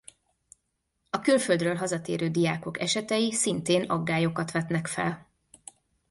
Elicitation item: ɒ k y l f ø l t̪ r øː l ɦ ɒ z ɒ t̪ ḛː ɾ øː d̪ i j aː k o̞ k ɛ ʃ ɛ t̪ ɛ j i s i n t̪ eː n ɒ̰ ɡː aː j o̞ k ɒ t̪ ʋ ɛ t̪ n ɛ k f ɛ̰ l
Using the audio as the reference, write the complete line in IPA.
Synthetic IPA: ɒ k y l f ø l d̪ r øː l ɦ ɒ z ɒ t̪ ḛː ɾ øː d̪ i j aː k o̞ k ɛ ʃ ɛ t̪ ɛ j i s i n t̪ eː n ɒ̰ ɡː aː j o̞ k ɒ t̪ ʋ ɛ t̪ n ɛ k f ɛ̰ l